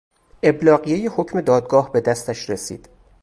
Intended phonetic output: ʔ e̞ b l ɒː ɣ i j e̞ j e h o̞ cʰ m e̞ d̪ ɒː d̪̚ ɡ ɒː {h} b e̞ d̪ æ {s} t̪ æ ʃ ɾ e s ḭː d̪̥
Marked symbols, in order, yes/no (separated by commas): yes, yes